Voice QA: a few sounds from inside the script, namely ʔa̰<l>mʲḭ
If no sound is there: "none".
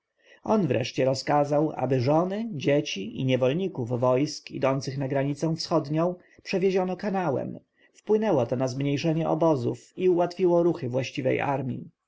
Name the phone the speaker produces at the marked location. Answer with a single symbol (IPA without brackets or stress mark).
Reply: ɾ